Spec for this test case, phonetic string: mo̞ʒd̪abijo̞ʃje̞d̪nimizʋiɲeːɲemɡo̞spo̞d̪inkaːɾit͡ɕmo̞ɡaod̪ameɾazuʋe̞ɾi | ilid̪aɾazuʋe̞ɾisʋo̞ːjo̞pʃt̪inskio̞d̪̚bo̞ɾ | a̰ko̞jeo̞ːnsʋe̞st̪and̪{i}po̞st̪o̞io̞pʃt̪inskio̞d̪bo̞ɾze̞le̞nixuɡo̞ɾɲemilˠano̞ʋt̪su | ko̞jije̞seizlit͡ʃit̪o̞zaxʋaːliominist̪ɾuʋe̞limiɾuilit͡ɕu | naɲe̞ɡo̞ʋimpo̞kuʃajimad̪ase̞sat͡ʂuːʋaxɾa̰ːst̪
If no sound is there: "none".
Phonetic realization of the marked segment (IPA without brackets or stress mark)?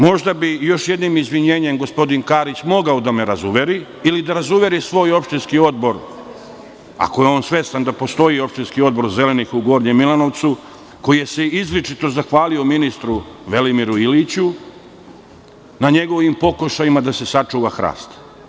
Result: a